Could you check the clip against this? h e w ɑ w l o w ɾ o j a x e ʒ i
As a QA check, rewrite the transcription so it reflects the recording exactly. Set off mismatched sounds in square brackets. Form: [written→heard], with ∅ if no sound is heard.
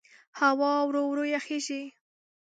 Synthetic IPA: h [e→a] w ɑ w [l→ɾ] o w ɾ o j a x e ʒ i